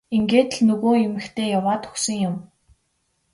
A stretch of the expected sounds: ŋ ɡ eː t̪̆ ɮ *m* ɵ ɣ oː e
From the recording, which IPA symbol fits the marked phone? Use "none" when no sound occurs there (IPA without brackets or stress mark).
n